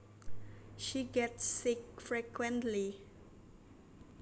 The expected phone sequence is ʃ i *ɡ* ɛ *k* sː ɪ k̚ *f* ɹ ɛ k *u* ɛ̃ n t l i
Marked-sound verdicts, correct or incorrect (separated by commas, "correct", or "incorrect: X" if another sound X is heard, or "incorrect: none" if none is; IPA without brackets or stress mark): correct, incorrect: t, correct, incorrect: w